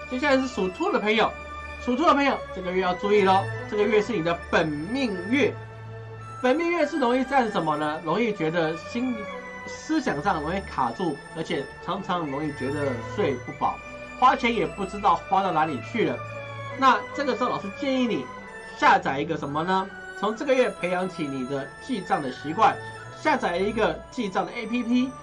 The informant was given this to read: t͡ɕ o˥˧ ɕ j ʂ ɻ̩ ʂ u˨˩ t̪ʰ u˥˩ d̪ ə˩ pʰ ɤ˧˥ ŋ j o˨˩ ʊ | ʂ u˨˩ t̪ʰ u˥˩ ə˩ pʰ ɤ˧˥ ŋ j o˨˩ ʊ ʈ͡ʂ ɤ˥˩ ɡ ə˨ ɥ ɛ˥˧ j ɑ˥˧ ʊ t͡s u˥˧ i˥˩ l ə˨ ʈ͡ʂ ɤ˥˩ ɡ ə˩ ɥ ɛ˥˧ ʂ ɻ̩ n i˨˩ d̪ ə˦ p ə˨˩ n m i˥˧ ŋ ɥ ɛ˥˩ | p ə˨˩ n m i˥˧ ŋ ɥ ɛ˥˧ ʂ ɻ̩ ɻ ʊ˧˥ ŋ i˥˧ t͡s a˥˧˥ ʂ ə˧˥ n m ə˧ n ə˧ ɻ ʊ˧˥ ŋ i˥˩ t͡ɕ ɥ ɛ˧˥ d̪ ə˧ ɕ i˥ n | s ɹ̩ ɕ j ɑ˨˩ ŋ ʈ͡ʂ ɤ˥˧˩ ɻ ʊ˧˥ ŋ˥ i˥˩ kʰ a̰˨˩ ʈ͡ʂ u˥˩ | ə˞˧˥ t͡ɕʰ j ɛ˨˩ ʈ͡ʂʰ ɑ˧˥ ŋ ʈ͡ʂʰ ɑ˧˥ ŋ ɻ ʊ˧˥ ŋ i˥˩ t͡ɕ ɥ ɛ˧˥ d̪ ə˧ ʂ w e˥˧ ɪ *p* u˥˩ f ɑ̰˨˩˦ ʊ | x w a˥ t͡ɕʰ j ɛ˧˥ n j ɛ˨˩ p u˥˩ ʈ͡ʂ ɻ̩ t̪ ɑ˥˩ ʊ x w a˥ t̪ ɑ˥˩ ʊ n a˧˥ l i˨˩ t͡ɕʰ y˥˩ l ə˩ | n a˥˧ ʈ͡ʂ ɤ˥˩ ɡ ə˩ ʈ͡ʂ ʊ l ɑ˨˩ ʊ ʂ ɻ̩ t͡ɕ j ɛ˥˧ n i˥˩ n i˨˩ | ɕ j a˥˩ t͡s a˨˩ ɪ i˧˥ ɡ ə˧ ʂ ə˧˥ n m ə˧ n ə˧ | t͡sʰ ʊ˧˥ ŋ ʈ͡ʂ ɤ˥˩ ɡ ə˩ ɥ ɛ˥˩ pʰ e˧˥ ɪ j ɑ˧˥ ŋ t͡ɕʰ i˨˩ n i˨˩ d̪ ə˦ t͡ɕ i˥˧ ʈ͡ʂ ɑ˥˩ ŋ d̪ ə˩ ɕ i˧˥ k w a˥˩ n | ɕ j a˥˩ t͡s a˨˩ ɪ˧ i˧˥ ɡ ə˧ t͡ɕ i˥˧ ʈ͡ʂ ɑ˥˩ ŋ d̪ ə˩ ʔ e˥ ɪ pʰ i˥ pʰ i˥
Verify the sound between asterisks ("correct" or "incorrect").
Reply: correct